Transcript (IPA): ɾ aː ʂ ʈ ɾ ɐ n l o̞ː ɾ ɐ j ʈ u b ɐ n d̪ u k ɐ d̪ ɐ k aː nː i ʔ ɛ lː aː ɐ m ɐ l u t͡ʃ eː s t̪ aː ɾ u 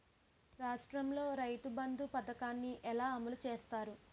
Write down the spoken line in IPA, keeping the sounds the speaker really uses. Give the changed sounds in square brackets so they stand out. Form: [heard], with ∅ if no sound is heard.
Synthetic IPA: ɾ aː ʂ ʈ ɾ ɐ [m] l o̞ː ɾ ɐ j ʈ u b ɐ n d̪ u [p] ɐ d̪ ɐ k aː nː i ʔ ɛ [l] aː ɐ m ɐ l u t͡ʃ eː s t̪ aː ɾ u